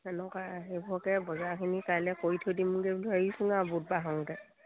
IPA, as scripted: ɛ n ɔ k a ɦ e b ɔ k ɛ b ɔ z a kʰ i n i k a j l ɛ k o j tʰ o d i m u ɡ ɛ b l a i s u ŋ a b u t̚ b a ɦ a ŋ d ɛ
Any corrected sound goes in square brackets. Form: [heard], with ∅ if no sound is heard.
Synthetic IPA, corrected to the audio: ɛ n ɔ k a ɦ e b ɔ k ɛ b ɔ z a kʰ i n i k a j l ɛ k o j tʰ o d i m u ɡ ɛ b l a i s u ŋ a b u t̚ b a ɦ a ŋ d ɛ